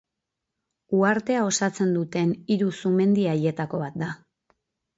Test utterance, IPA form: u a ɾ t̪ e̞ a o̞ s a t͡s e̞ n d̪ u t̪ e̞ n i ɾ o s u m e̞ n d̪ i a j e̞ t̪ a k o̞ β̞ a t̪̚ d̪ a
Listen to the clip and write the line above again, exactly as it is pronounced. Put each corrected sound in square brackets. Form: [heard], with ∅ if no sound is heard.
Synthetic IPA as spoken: u a ɾ t̪ e̞ a o̞ s a t͡s e̞ n d̪ u t̪ e̞ n i ɾ [u] s u m e̞ n d̪ i a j e̞ t̪ a k o̞ β̞ a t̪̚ d̪ a